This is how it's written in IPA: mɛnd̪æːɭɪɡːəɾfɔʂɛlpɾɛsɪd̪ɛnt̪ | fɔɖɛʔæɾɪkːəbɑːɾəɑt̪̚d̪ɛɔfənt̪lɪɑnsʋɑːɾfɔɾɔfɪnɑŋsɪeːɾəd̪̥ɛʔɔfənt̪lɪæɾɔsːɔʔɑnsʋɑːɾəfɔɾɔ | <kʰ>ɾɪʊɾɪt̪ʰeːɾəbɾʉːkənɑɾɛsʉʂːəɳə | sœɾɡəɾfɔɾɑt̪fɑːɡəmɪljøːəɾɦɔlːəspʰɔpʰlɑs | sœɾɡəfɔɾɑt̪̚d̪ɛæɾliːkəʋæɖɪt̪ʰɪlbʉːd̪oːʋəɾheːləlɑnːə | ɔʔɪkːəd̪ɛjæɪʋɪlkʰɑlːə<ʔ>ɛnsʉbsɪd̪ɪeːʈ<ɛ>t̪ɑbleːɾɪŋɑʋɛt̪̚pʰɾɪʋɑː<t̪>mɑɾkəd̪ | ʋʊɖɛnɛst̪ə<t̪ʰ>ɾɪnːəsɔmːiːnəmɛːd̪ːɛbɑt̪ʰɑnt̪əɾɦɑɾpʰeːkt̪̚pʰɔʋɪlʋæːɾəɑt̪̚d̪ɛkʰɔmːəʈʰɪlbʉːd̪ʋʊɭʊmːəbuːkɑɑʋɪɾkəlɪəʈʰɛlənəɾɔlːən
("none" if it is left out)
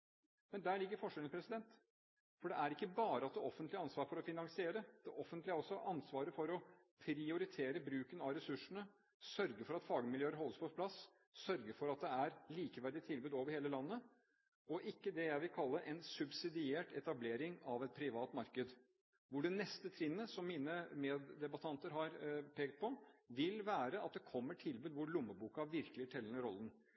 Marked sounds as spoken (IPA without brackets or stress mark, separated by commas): pʰ, ʔ, ɛ, t̪, t̪ʰ